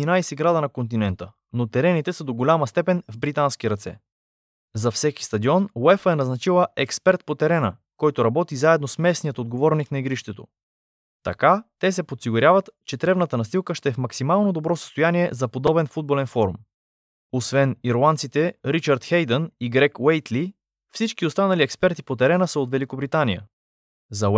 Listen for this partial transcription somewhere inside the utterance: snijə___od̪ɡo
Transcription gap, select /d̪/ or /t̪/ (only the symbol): t̪